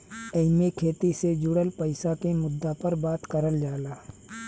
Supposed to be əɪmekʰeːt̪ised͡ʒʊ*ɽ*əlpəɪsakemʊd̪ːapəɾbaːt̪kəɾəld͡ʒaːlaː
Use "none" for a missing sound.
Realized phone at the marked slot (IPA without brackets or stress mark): ɽ